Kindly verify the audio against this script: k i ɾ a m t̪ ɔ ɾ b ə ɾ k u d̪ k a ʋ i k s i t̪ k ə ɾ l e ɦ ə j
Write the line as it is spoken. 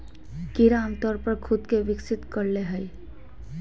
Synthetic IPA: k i ɾ a m t̪ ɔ ɾ p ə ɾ kʰ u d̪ k e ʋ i k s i t̪ k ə ɾ l e ɦ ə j